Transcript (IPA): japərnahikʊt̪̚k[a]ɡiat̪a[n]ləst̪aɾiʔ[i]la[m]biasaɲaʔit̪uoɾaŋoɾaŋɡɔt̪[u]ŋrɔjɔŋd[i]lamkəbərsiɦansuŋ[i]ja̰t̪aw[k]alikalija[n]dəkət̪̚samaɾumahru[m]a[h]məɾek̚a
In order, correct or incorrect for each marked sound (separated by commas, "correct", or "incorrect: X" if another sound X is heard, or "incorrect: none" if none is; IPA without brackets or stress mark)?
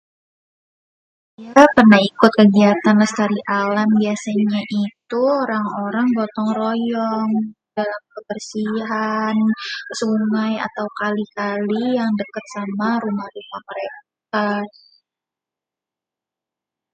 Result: incorrect: ə, correct, incorrect: a, correct, incorrect: ɔ, incorrect: a, incorrect: a, correct, incorrect: ŋ, correct, correct